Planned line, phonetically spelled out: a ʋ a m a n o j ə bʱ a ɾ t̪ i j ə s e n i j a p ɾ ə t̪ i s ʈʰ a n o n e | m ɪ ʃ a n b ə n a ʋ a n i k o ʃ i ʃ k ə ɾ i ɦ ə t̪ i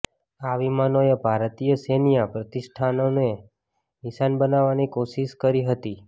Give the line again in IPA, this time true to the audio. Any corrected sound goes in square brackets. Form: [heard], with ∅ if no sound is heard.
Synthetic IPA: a ʋ [i] m a n o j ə bʱ a ɾ t̪ i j ə s e n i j a p ɾ ə t̪ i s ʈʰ a n o n e | [n] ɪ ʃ a n b ə n a ʋ a n i k o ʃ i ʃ k ə ɾ i ɦ ə t̪ i